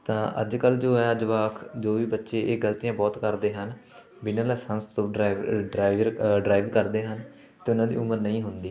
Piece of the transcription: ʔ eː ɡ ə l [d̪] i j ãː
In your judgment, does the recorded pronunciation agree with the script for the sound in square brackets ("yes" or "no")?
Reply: no